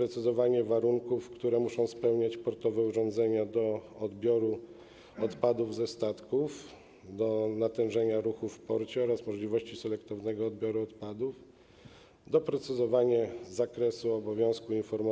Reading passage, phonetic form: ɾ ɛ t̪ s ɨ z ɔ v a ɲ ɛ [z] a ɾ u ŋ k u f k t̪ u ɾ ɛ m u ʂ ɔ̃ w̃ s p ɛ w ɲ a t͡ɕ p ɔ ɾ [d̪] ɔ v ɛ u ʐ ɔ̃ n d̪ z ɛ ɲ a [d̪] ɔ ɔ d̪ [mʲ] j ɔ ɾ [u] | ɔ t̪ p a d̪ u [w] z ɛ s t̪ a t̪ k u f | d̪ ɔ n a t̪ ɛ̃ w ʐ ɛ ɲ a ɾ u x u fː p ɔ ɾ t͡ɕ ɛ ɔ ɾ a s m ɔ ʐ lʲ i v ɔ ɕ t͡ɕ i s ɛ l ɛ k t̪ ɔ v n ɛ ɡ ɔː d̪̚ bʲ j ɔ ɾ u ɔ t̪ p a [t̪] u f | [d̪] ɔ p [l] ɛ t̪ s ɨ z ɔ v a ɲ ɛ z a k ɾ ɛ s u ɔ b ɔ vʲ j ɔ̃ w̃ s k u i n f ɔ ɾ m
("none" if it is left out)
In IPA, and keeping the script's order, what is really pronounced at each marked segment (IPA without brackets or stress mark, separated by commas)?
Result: v, t̪, d̪, bʲ, u, v, d̪, d̪, ɾ